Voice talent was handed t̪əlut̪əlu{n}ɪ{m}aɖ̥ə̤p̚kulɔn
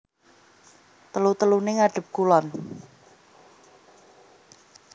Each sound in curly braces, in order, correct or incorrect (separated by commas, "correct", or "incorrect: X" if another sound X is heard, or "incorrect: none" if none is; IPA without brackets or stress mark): correct, incorrect: ŋ